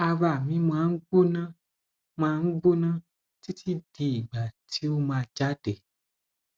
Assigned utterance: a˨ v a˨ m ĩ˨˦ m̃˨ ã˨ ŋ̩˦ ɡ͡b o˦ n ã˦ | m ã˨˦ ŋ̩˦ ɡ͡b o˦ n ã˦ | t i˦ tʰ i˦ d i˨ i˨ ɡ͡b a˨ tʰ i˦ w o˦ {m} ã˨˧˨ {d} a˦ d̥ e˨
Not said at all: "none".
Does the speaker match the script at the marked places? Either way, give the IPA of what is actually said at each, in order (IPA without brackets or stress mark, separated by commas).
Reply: m, d͡ʒ